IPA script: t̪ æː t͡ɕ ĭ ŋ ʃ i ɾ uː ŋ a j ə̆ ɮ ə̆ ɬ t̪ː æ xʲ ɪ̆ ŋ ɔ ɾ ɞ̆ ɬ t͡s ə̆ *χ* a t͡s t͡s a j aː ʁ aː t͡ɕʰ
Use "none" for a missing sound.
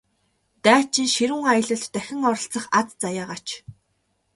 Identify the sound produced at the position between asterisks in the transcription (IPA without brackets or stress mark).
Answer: χ